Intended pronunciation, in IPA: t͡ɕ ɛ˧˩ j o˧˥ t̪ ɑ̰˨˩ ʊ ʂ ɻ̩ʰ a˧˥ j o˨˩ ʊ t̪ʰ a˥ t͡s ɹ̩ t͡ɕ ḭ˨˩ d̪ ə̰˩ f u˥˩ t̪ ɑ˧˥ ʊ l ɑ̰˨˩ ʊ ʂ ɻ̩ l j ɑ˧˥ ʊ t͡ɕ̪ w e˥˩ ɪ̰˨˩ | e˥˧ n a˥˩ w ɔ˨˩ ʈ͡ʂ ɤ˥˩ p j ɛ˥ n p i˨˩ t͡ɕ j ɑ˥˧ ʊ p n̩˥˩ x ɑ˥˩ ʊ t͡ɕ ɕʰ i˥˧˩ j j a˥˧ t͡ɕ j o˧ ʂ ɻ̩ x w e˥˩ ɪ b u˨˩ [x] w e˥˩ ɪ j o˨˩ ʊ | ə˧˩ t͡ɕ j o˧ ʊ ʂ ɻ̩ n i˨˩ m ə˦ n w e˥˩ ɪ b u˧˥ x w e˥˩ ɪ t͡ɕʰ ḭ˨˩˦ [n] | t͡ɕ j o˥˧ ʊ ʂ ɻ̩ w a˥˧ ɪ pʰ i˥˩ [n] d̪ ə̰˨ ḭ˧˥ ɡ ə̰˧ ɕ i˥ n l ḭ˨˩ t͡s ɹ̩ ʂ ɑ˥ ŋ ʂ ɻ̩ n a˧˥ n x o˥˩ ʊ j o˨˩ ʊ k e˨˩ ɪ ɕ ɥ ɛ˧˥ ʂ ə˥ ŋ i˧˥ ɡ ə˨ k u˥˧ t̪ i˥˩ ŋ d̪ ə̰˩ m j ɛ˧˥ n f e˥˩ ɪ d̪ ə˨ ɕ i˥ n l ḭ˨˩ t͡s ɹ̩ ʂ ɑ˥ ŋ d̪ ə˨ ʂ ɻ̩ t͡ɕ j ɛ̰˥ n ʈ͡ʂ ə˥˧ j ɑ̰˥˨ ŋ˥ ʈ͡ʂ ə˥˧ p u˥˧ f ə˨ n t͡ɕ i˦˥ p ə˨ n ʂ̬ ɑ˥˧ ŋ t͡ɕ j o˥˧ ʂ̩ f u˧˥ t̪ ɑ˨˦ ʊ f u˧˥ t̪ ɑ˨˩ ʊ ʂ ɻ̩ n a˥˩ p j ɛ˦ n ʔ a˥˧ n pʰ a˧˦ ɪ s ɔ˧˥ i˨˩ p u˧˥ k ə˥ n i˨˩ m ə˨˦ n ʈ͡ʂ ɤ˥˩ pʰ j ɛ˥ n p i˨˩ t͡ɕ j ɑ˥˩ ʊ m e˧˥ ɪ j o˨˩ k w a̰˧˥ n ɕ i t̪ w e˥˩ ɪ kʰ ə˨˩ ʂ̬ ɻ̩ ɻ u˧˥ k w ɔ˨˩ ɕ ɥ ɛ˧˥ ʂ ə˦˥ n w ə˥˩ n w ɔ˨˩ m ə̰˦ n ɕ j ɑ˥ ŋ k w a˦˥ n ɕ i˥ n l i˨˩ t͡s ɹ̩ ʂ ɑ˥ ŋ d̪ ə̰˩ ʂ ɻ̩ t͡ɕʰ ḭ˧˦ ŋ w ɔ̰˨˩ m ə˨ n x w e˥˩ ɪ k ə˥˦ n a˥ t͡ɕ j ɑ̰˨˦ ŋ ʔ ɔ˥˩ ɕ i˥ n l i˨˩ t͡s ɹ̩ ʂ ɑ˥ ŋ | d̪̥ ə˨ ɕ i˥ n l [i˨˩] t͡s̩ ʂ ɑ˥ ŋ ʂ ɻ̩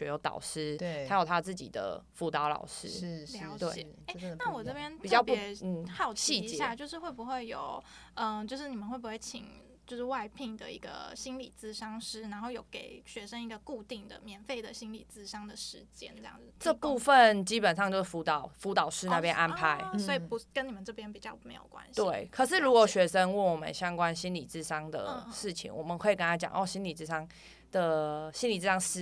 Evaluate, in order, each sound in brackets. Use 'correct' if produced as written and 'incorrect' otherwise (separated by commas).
correct, incorrect, incorrect, correct